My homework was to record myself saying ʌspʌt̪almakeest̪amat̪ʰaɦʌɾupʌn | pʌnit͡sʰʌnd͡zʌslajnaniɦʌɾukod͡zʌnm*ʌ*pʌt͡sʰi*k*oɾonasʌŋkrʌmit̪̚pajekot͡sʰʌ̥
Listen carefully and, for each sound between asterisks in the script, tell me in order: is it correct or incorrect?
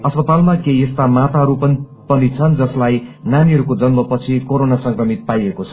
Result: correct, correct

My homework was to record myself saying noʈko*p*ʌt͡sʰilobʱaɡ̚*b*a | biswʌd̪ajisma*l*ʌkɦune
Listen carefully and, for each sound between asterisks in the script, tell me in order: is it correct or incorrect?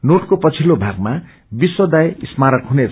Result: correct, incorrect: m, incorrect: ɾ

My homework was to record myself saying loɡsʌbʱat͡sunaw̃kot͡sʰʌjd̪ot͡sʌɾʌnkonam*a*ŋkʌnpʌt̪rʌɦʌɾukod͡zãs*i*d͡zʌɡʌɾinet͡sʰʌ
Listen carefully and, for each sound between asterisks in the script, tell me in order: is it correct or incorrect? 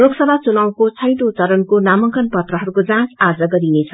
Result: incorrect: ʌ, incorrect: a

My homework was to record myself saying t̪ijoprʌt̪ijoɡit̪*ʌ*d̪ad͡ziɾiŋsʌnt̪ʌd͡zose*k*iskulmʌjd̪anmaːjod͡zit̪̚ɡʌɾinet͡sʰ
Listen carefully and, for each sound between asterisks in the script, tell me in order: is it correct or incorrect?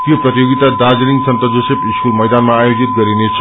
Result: incorrect: a, incorrect: p

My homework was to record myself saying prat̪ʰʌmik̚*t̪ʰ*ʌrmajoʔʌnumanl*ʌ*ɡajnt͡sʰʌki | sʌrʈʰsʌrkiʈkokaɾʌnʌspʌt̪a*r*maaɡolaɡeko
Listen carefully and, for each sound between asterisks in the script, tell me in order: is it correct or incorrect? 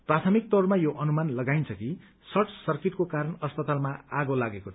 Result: incorrect: t̪, correct, incorrect: l

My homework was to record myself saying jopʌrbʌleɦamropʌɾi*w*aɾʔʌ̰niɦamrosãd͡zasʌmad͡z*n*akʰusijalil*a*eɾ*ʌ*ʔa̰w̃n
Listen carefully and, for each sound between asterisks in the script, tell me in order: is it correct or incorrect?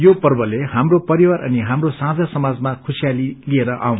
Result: correct, incorrect: m, incorrect: i, correct

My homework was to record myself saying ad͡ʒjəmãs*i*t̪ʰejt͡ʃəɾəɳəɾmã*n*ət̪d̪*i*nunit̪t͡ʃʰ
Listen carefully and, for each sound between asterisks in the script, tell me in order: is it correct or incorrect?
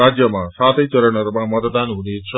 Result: incorrect: a, incorrect: m, incorrect: a

